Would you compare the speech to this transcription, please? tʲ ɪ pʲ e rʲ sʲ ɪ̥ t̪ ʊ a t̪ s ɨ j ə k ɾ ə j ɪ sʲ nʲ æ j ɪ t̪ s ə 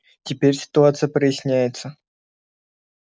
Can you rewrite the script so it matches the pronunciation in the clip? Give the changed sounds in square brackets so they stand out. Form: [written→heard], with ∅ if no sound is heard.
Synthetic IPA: tʲ ɪ pʲ e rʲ sʲ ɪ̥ t̪ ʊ a t̪ s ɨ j ə [k→p] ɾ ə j ɪ sʲ nʲ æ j ɪ t̪ s ə